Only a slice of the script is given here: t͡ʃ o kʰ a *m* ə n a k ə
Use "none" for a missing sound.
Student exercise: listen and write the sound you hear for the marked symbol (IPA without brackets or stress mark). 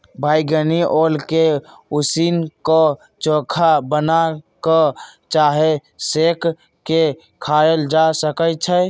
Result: b